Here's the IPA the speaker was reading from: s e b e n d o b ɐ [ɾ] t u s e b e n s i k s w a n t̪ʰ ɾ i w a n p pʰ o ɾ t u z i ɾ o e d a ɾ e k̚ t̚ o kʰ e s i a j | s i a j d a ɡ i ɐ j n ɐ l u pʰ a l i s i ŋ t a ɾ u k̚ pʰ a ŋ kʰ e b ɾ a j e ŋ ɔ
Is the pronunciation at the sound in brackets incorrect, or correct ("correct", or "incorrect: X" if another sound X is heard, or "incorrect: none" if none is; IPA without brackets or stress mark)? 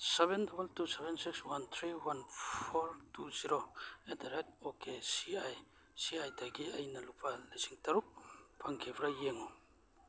incorrect: l